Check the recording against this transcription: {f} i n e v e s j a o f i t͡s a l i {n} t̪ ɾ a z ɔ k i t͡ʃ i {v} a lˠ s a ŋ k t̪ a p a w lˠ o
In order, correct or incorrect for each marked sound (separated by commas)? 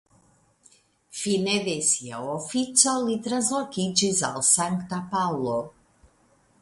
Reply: correct, incorrect, incorrect